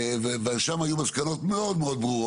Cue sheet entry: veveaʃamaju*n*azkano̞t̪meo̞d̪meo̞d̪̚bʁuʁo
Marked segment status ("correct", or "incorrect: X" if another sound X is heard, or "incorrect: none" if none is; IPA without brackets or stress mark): incorrect: m